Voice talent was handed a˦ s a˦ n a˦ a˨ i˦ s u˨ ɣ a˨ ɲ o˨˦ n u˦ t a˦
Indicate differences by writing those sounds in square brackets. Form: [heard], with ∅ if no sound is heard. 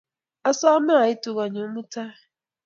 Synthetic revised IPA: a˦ s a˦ [m] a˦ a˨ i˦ [t] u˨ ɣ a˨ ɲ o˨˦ [m] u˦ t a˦